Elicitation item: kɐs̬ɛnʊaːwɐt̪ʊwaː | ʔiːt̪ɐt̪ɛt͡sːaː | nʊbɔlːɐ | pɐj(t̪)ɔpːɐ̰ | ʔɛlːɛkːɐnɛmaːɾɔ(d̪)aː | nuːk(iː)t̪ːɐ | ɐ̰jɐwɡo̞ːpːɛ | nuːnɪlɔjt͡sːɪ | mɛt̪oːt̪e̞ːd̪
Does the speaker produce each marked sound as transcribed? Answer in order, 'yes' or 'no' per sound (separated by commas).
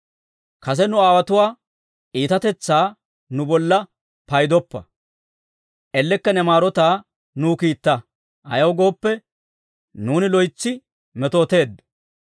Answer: no, no, yes